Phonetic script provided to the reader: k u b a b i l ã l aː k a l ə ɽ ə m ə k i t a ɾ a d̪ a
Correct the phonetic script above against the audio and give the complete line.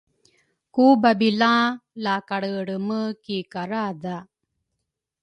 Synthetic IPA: k u b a b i l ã l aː k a ɽ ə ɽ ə m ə k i k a ɾ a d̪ a